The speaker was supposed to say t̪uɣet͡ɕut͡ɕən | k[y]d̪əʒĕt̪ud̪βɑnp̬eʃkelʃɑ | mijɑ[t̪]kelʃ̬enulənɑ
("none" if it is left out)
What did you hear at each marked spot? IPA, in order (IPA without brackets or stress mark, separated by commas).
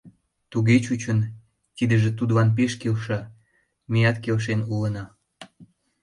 i, t̪